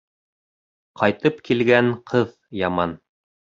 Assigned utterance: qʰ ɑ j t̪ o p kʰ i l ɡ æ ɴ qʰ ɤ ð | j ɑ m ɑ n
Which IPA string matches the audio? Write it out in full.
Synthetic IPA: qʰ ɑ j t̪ ɤ p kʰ i l ɡ æ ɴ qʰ ɤ ð | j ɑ m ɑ n